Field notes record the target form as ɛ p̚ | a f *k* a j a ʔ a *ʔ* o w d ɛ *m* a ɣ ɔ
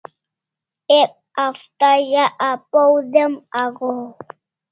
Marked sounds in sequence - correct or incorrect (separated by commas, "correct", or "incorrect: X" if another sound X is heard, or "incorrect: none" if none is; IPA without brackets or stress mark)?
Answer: incorrect: t, incorrect: p, correct